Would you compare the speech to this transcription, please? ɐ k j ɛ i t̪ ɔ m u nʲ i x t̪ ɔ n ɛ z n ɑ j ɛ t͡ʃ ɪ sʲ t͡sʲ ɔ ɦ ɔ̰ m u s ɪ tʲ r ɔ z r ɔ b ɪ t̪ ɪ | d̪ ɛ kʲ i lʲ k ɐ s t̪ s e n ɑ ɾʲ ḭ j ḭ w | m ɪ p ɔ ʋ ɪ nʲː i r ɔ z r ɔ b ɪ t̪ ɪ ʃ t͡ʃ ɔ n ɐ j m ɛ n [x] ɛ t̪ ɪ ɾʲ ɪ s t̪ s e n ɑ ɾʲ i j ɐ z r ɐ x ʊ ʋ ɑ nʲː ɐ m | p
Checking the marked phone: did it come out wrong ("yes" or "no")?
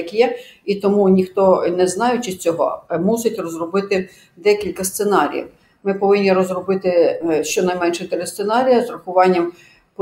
yes